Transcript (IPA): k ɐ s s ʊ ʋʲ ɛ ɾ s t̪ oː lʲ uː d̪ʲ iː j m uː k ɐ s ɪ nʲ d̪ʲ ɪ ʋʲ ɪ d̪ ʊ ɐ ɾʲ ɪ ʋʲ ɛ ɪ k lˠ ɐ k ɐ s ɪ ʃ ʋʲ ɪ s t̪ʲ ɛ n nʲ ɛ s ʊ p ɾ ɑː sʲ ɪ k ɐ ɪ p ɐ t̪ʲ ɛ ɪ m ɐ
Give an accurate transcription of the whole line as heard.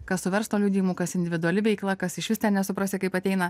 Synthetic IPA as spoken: k ɐ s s ʊ ʋʲ ɛ ɾ s t̪ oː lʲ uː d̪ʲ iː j m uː k ɐ s ɪ nʲ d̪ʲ ɪ ʋʲ ɪ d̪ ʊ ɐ lʲ ɪ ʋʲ ɛ ɪ k lˠ ɐ k ɐ s ɪ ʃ ʋʲ ɪ s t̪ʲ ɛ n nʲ ɛ s ʊ p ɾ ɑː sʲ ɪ k ɐ ɪ p ɐ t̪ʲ ɛ ɪ n ɐ